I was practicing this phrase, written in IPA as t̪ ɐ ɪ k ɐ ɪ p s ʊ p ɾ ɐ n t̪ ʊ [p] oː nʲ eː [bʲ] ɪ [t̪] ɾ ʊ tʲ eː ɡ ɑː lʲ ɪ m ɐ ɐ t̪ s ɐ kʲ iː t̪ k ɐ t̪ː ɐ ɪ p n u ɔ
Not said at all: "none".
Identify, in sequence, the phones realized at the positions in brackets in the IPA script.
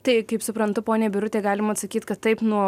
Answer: p, bʲ, none

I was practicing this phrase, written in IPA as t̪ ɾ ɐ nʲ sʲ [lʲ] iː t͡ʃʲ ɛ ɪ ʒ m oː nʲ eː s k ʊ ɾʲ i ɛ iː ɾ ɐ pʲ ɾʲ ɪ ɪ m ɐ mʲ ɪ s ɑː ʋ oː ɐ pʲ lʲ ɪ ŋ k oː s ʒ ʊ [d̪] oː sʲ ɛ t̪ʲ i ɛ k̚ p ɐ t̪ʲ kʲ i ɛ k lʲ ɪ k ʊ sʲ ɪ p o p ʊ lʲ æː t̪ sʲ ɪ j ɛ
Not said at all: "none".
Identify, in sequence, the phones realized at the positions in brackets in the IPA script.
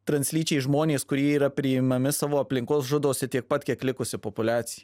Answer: lʲ, d̪

